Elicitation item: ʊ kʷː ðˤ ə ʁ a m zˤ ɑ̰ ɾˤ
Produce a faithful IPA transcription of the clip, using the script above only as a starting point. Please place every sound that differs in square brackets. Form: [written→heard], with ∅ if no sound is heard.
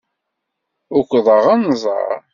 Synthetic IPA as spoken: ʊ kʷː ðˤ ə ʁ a [m→n] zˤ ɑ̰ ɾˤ